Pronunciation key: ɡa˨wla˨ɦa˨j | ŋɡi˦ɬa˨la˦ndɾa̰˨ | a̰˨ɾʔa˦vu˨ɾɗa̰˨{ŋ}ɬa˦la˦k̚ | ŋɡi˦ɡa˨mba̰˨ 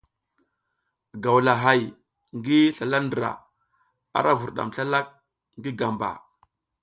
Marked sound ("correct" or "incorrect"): incorrect